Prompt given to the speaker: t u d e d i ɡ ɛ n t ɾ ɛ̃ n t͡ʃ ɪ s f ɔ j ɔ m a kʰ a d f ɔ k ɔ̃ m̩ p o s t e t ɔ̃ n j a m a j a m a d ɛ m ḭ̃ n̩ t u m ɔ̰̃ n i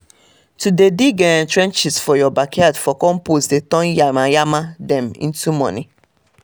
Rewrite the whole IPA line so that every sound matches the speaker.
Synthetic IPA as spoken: t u d e d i ɡ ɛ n t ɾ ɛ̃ n t͡ʃ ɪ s f ɔ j ɔ b a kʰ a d f ɔ k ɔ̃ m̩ p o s d e t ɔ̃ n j a m a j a m a d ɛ m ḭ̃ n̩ t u m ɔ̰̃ n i